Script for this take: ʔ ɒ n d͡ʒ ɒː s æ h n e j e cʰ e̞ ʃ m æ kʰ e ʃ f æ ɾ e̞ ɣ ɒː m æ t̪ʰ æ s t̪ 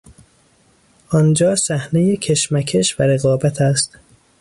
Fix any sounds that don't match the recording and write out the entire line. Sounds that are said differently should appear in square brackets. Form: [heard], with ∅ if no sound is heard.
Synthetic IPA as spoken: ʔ ɒ n d͡ʒ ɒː s æ h n e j e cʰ e̞ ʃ m æ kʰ e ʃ [v] æ ɾ e̞ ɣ ɒː [b] æ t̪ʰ æ s t̪